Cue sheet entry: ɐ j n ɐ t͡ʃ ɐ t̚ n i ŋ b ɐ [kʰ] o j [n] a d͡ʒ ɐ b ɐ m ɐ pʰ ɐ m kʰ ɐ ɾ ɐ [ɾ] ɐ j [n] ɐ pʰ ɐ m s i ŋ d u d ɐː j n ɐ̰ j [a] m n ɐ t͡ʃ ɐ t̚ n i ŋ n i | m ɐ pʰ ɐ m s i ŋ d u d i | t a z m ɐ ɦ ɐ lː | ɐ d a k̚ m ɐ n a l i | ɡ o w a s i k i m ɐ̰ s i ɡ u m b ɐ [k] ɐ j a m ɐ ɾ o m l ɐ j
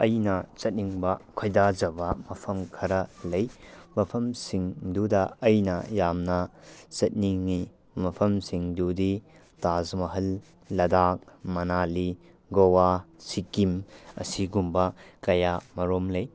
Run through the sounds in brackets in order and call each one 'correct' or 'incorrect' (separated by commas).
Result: correct, incorrect, incorrect, incorrect, correct, correct